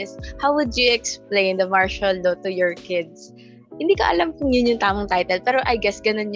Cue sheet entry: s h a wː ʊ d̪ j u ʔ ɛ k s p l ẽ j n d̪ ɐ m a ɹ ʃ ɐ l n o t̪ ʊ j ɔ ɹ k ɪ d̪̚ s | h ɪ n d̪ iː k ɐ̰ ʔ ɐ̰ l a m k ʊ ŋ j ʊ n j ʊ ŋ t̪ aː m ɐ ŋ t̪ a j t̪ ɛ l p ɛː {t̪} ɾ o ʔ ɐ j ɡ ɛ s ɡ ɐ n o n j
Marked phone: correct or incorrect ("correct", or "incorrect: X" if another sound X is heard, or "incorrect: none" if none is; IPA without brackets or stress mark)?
incorrect: none